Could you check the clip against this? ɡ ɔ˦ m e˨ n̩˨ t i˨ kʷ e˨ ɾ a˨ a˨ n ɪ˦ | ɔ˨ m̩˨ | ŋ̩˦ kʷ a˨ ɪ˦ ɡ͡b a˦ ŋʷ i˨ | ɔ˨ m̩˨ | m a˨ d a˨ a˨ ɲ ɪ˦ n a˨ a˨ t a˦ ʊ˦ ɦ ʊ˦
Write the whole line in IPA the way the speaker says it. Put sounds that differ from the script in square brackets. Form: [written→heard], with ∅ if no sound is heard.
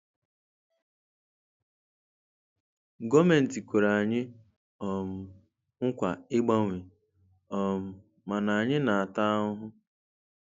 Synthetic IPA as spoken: ɡ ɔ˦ m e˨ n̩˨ t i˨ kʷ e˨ ɾ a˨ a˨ [n→ɲ] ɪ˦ | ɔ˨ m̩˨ | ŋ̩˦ kʷ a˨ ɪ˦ ɡ͡b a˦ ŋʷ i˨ | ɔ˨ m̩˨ | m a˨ [d→n] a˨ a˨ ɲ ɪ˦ n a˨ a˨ t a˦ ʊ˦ ɦ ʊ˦